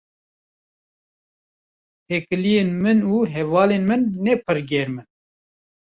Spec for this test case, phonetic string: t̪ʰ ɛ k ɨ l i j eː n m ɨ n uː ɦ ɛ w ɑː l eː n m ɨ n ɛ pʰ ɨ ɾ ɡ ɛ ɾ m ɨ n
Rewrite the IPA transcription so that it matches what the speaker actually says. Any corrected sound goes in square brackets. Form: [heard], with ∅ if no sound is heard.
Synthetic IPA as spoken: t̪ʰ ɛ k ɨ l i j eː n m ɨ n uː ɦ ɛ [v] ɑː l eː n m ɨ [nː] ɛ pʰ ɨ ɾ ɡ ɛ ɾ m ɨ n